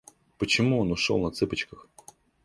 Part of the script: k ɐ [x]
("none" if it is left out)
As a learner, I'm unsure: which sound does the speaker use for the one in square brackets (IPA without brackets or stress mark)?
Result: x